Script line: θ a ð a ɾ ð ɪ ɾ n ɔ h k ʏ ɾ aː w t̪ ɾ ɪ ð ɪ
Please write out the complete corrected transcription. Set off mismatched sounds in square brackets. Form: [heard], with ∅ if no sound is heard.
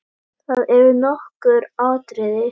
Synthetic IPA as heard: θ a ð [ɛ] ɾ [v] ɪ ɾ n ɔ h k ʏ ɾ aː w t̪ ɾ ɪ ð ɪ